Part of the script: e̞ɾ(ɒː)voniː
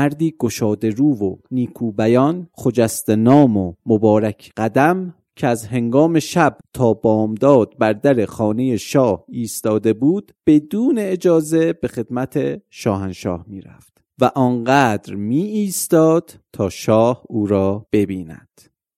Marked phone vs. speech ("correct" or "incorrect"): incorrect